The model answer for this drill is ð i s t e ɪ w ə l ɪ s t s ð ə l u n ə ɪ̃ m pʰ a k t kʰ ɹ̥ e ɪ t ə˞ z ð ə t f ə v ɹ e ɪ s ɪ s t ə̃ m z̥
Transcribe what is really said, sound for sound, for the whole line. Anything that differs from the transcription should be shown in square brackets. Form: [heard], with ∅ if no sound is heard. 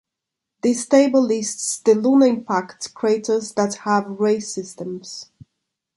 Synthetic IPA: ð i s t e ɪ [b] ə l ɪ s t s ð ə l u n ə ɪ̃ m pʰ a k t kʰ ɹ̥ e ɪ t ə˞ z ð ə t [h] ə v ɹ e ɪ s ɪ s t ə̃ m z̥